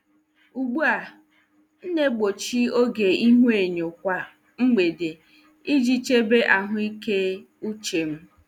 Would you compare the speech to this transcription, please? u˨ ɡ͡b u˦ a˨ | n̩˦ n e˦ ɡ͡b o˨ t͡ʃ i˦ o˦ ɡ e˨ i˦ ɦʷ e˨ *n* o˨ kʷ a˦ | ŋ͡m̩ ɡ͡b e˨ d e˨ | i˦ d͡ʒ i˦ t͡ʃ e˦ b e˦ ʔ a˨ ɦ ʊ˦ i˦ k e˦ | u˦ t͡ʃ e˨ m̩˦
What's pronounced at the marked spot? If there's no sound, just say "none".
ɲ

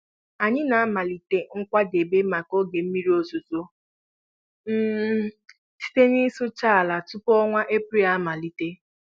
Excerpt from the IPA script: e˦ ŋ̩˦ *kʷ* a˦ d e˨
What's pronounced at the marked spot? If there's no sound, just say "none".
kʷ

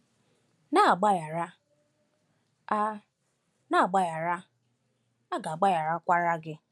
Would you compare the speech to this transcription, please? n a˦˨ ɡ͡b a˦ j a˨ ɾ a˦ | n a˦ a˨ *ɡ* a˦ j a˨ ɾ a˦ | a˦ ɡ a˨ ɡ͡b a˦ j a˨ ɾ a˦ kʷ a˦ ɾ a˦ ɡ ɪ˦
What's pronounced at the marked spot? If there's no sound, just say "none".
ɡ͡b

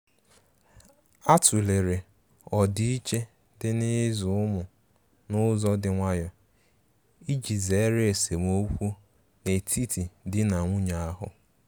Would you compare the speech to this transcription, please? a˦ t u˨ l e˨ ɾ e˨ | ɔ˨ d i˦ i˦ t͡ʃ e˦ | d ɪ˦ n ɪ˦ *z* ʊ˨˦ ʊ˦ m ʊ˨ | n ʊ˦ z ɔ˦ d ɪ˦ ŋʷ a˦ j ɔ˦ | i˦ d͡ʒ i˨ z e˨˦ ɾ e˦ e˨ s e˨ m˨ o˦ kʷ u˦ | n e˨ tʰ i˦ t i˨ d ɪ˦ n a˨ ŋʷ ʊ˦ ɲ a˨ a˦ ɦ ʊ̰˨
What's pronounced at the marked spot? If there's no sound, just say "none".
z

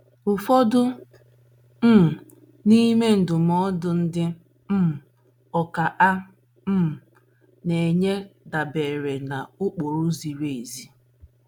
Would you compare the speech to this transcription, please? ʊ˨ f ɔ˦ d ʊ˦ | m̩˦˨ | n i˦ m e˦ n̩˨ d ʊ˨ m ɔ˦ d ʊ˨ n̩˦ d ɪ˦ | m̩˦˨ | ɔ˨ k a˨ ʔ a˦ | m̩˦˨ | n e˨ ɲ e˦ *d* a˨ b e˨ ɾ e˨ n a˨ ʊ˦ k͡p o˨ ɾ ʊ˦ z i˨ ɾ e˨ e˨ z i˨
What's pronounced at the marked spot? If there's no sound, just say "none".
d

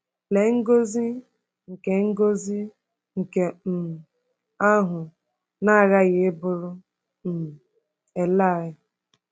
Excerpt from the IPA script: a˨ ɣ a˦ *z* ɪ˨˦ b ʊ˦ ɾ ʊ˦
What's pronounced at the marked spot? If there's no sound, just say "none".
ɣ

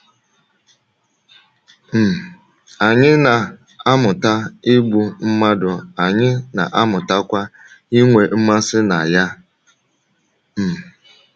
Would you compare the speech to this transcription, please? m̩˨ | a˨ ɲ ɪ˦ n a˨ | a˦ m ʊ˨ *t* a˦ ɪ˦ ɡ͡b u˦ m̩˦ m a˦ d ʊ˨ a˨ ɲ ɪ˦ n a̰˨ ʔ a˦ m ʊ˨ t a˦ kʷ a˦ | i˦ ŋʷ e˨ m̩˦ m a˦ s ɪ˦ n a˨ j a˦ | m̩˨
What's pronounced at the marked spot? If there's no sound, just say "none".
t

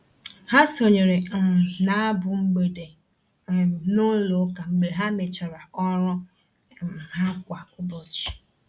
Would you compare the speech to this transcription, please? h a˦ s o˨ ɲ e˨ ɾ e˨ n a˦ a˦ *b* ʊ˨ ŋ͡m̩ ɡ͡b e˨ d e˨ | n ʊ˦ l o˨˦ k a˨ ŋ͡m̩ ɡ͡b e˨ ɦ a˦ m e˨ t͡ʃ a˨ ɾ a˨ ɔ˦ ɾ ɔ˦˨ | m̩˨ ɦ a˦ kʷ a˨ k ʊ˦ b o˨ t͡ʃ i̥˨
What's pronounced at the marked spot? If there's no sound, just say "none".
b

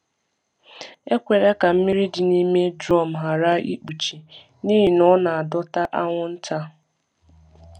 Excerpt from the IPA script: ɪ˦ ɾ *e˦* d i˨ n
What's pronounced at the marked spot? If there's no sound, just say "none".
i˦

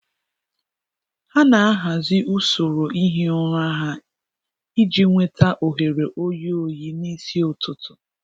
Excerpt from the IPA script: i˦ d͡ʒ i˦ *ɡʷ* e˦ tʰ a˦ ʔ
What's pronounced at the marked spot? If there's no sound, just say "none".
ŋʷ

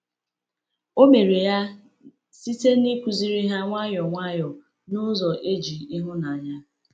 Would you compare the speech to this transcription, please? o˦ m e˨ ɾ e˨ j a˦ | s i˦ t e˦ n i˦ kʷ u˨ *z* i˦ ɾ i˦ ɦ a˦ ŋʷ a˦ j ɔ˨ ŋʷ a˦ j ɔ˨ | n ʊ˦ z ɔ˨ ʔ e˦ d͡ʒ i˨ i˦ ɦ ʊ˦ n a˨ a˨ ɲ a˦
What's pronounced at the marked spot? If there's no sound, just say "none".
z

